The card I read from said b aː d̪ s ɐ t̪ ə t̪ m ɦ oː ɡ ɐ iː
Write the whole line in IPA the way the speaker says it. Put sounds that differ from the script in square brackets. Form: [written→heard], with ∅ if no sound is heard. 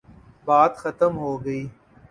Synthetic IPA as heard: b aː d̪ [s→x] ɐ t̪ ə [t̪→∅] m ɦ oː ɡ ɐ iː